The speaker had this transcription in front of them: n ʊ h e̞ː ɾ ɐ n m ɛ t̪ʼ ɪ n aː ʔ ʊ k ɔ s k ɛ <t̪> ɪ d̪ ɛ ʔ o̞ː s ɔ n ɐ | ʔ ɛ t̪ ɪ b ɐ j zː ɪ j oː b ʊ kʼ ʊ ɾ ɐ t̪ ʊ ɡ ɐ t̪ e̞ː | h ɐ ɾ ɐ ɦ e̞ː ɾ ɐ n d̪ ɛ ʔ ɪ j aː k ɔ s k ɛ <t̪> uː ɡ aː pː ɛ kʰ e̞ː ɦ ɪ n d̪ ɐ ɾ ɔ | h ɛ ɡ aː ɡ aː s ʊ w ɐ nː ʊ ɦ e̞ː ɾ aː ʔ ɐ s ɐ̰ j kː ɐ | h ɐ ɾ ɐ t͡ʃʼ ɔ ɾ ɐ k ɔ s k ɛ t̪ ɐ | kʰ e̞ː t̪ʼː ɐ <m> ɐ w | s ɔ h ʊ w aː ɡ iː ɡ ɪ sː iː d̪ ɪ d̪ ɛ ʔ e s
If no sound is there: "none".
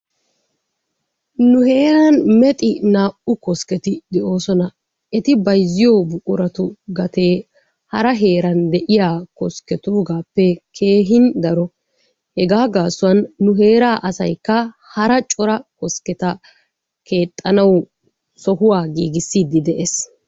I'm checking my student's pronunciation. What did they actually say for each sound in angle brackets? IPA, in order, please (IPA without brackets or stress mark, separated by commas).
t̪, t̪, n